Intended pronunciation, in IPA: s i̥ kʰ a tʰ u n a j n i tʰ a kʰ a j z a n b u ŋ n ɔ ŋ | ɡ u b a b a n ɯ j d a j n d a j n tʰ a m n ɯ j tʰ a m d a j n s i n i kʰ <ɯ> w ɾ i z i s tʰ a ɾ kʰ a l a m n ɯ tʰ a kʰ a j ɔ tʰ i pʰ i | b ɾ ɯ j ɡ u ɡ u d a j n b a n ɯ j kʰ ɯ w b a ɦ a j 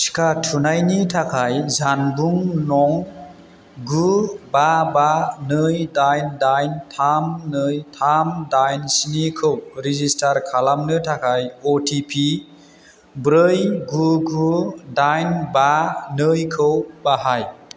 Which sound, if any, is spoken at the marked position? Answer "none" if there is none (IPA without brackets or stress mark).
ɯ